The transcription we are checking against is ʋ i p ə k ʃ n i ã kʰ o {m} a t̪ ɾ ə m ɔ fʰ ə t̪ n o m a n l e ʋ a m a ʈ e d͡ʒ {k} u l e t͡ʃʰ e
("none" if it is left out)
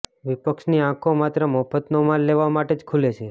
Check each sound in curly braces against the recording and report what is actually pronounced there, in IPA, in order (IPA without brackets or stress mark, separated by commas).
m, kʰ